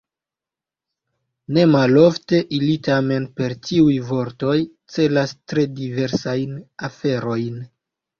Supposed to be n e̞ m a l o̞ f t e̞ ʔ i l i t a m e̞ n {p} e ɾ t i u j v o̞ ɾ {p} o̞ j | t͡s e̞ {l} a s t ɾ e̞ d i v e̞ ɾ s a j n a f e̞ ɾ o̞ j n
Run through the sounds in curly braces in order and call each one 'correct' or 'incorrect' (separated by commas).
correct, incorrect, correct